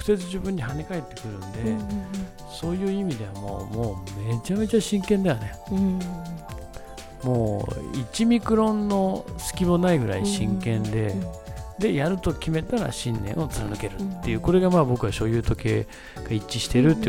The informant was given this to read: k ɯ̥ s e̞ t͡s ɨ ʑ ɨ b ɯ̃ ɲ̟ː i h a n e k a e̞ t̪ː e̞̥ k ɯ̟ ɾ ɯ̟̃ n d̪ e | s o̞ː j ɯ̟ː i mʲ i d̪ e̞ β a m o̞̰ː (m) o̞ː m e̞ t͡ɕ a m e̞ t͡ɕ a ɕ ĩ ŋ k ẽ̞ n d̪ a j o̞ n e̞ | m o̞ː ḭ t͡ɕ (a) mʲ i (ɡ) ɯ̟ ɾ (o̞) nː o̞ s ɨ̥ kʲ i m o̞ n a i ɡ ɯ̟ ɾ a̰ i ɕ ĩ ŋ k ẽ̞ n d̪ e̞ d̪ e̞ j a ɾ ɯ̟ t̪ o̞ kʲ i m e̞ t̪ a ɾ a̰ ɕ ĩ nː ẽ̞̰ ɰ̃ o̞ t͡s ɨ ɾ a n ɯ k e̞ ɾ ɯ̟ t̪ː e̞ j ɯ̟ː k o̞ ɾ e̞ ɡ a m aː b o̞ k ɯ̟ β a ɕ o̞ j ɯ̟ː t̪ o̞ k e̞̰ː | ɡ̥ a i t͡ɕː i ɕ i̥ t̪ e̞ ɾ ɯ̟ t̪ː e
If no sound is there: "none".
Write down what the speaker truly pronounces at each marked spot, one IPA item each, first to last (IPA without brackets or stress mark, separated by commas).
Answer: m, i, k, õ̞